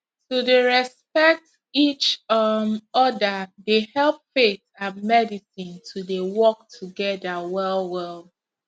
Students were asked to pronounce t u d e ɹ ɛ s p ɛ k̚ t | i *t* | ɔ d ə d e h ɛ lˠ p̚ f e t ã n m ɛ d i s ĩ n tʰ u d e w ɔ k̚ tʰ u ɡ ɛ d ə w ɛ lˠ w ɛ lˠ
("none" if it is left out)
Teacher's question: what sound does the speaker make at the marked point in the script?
t͡ʃ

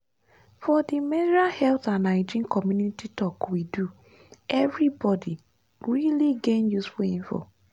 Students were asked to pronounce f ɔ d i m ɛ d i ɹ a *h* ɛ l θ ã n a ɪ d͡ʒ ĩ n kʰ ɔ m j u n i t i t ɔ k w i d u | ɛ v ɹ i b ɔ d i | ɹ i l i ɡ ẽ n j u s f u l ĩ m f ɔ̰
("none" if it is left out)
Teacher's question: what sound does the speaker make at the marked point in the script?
h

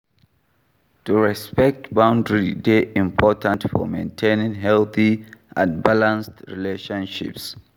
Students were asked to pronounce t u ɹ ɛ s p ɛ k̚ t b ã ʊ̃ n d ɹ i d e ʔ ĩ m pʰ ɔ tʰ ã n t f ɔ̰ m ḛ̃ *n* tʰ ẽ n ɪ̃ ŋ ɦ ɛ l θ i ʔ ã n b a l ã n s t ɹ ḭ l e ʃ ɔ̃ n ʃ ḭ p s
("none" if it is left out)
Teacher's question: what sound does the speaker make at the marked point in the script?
n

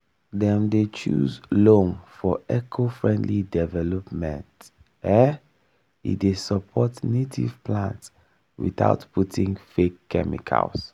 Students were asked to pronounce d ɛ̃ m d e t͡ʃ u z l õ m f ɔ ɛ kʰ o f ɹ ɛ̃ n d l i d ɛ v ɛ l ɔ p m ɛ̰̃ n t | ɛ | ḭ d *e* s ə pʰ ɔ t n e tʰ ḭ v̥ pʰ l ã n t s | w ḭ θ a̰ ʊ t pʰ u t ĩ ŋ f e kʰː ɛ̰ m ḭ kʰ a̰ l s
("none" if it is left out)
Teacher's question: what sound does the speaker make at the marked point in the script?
e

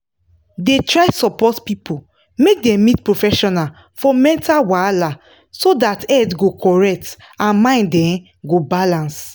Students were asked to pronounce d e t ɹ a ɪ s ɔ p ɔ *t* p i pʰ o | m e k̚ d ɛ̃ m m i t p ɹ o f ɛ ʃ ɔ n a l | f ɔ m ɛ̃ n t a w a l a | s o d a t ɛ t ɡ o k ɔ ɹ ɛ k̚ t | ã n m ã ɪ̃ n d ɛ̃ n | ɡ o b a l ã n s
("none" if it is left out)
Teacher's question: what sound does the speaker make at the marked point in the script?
t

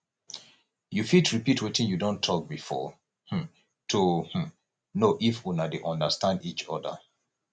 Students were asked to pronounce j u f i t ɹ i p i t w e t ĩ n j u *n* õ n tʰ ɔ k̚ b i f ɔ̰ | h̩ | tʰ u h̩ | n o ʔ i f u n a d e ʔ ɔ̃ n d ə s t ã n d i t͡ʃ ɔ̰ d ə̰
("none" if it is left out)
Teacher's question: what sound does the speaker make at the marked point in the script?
d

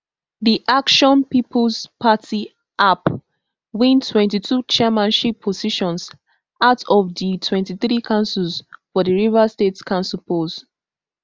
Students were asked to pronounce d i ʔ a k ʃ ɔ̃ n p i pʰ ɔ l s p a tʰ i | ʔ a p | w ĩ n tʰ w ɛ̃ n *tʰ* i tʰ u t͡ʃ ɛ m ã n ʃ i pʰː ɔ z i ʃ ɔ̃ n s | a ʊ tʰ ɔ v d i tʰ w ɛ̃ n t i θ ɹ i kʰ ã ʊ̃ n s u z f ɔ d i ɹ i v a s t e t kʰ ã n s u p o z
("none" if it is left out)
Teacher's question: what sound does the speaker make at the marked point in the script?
t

